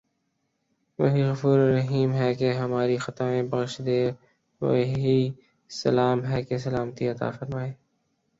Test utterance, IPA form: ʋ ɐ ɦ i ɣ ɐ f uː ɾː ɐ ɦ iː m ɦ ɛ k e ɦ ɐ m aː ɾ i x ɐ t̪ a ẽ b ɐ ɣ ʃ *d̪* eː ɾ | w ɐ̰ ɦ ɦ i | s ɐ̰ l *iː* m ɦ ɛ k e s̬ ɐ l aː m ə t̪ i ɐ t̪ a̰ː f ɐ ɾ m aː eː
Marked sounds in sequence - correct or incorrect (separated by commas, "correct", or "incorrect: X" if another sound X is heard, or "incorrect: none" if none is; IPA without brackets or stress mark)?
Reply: correct, incorrect: aː